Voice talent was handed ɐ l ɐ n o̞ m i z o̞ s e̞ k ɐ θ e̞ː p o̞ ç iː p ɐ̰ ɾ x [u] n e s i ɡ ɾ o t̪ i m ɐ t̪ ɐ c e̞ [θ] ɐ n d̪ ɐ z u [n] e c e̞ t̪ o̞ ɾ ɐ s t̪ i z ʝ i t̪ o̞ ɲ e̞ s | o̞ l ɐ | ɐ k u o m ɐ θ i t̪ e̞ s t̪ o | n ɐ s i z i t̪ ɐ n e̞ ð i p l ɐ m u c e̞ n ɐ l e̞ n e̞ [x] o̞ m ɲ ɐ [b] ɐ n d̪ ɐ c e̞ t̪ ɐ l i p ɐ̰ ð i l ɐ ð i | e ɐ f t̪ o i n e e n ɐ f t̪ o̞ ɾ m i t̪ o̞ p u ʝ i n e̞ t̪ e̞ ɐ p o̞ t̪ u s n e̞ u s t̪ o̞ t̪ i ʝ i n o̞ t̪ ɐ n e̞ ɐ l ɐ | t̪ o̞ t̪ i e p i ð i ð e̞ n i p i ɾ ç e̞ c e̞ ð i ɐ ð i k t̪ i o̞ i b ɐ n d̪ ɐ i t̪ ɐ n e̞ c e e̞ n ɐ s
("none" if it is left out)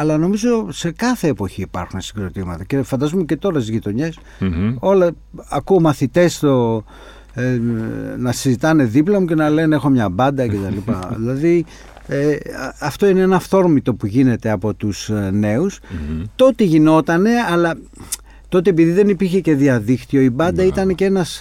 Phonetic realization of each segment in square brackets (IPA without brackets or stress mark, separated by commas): u, f, m, x, b